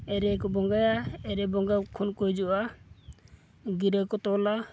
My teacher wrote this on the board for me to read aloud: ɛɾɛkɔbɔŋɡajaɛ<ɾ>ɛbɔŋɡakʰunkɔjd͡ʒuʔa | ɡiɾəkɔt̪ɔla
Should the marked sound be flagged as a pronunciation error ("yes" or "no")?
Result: no